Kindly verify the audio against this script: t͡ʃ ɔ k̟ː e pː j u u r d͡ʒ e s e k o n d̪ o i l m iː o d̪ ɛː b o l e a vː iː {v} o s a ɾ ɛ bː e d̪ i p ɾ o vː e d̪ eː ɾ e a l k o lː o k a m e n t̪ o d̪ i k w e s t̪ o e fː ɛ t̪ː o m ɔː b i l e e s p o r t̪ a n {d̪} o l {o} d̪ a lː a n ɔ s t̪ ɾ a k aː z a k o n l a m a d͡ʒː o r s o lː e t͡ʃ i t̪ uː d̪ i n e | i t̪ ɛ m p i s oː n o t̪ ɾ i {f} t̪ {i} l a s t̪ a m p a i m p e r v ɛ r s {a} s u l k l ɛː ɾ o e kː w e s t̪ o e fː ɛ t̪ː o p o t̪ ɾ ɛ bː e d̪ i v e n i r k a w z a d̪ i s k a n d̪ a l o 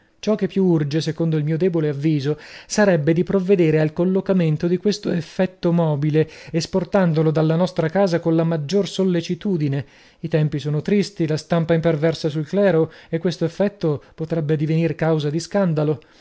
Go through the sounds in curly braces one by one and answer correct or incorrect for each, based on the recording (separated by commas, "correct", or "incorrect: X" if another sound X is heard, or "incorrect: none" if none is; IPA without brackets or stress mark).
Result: incorrect: z, correct, correct, incorrect: s, correct, correct